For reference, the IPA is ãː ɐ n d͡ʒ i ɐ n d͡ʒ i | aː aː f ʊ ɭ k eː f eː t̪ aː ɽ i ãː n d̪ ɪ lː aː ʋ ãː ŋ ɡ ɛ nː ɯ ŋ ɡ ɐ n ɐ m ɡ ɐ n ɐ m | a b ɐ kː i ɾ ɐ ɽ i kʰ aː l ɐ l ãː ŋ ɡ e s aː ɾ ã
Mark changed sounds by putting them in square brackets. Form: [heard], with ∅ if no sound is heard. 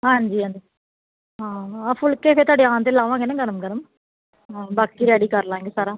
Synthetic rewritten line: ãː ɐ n d͡ʒ i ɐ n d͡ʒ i | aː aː f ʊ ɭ k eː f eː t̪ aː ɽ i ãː n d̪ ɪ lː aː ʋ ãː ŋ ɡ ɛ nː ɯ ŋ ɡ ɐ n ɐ m ɡ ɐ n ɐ m | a b ɐ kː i ɾ ɐ ɽ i [k] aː [ɾ] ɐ l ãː ŋ ɡ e s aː ɾ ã